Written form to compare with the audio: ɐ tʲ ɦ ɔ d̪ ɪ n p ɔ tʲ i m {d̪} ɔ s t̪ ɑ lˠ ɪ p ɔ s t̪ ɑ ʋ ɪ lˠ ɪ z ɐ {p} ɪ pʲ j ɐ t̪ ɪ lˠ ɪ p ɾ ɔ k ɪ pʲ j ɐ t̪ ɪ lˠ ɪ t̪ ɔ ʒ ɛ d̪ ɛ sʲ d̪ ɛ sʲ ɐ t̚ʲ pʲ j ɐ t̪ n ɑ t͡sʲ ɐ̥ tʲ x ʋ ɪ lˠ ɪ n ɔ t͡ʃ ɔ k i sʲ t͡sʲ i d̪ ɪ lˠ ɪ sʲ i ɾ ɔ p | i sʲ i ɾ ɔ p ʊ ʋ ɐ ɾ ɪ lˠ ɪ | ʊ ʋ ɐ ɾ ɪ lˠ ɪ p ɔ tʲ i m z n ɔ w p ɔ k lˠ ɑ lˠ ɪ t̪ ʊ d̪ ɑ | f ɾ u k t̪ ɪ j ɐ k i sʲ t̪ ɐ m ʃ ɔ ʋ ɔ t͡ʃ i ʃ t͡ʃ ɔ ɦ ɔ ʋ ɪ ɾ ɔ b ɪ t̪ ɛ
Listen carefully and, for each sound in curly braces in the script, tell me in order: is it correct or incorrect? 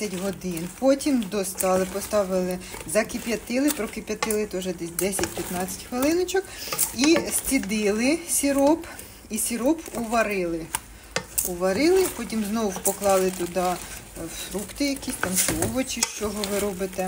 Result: correct, incorrect: k

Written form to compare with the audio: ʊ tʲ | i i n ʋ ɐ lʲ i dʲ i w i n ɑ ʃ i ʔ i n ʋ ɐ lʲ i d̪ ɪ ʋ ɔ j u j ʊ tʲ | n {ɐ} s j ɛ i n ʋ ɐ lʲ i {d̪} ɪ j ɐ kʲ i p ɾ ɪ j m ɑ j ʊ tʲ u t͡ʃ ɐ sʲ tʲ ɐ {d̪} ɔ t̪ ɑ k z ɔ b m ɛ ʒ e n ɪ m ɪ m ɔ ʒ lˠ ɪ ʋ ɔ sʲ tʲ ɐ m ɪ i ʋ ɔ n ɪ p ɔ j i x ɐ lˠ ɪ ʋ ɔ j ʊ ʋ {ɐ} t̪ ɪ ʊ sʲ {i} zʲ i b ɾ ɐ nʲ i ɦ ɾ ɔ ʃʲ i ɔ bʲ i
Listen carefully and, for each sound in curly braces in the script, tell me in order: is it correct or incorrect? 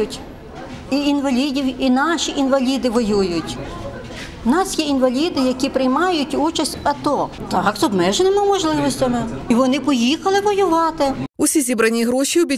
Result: incorrect: ɑ, correct, incorrect: t̪, incorrect: ɑ, correct

